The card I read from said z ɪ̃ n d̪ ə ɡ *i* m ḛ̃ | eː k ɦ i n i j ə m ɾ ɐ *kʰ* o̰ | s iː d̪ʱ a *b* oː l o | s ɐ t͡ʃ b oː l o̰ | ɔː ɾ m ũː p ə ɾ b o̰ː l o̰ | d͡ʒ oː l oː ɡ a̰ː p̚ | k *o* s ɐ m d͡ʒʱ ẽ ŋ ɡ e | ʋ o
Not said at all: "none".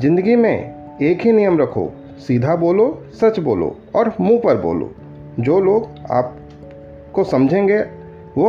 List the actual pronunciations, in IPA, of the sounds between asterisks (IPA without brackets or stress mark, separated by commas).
i, kʰ, b, o